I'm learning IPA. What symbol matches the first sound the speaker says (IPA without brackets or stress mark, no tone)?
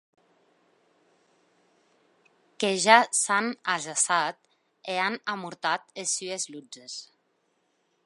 k